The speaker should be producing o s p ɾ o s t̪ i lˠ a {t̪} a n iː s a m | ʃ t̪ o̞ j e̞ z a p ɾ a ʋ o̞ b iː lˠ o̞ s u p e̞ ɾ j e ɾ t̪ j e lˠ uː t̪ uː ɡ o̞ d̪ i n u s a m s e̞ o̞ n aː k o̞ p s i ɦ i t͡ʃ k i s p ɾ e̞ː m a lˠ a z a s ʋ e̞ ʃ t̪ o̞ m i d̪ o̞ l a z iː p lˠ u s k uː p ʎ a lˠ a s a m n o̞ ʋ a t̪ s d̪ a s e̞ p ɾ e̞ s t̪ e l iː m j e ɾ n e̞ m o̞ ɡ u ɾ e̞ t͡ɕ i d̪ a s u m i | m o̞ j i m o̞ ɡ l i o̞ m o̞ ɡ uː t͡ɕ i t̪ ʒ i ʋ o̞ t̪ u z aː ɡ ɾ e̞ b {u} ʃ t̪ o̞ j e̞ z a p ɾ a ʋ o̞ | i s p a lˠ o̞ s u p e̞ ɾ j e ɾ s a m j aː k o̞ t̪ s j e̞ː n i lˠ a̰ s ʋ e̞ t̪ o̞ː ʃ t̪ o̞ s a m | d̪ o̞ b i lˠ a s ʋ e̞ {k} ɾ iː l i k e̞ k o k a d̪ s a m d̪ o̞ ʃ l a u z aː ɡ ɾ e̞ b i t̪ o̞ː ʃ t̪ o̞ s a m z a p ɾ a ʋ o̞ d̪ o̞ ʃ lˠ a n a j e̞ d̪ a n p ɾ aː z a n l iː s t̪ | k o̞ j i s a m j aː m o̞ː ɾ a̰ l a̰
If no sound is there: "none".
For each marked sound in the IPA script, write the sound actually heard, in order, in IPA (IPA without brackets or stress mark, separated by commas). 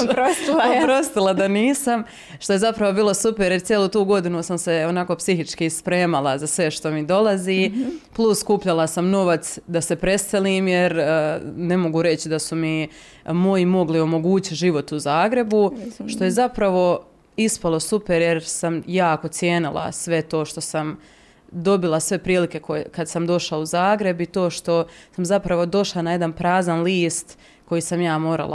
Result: d̪, u, p